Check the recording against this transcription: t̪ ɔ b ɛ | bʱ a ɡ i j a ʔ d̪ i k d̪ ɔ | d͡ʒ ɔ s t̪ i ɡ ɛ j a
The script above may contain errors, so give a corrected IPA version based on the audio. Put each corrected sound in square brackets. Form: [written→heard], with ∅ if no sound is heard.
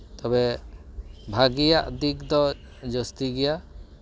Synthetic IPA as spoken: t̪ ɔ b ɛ | bʱ a ɡ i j a ʔ d̪ i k d̪ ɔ | d͡ʒ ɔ s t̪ i ɡ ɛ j a